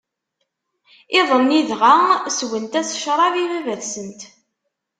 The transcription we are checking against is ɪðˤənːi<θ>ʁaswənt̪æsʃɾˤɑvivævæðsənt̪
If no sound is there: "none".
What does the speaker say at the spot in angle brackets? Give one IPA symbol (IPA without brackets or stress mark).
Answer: ð